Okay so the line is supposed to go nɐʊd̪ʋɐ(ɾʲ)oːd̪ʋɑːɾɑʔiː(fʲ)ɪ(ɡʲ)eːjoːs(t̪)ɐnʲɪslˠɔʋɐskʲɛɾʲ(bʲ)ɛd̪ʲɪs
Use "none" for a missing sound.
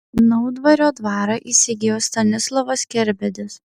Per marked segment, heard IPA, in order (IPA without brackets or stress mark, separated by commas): ɾʲ, sʲ, ɡʲ, t̪, bʲ